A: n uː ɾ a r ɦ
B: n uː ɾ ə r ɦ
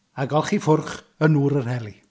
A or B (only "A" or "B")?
B